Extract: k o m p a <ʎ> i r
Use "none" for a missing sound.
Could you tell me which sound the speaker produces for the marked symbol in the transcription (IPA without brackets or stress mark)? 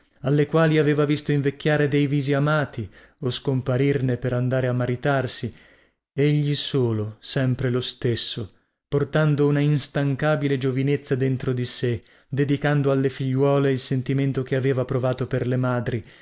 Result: ɾ